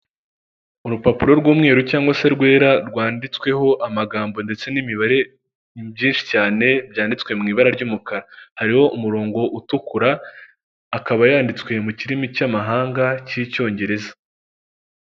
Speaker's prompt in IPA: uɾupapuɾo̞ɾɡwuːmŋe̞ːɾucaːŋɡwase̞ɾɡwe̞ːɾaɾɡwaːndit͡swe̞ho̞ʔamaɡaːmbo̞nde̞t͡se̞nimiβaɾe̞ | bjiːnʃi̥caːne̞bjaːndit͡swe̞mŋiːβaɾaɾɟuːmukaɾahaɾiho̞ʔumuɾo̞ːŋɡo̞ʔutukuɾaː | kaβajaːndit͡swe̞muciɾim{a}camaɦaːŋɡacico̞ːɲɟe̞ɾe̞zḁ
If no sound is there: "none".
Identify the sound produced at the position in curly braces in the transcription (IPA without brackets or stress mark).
i